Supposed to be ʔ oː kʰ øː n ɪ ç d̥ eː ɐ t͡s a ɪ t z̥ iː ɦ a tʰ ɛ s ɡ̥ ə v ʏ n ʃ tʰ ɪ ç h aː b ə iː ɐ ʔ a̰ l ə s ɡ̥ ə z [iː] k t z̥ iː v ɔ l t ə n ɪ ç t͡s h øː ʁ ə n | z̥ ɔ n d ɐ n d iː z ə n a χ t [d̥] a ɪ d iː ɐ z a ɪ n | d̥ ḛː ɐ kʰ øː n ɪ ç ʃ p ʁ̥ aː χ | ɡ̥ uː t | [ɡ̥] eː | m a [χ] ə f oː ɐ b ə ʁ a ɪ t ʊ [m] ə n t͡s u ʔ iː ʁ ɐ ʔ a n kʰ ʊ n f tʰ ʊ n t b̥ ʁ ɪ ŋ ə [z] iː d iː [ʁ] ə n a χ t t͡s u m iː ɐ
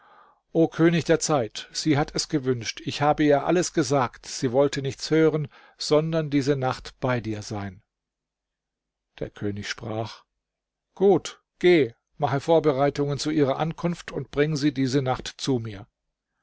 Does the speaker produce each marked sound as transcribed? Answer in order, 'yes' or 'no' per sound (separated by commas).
no, no, yes, yes, no, yes, no